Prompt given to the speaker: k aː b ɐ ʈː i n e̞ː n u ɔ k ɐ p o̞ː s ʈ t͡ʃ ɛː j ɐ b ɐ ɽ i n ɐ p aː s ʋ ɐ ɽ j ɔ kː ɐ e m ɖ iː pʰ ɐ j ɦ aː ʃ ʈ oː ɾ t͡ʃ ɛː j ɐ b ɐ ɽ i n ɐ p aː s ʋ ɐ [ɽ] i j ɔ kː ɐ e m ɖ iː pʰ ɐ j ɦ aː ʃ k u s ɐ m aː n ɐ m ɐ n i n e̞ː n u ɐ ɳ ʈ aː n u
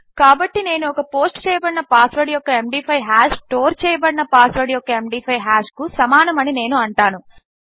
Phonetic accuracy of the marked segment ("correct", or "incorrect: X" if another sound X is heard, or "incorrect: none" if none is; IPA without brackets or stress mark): correct